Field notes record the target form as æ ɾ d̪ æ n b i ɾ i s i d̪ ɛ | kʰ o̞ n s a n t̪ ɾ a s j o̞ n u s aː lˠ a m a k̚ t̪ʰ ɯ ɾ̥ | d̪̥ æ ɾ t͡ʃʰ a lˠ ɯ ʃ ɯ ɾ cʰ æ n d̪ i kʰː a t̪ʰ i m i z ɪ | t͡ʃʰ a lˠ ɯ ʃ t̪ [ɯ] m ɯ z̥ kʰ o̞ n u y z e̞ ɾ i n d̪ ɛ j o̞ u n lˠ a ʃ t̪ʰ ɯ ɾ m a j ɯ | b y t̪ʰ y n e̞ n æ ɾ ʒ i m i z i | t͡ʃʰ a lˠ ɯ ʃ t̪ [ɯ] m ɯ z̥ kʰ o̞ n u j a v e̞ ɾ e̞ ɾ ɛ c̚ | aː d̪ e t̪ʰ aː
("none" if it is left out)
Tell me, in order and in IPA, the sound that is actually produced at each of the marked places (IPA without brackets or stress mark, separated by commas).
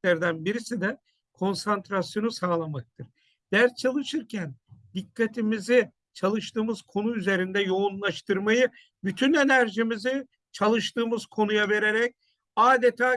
ɯː, ɯː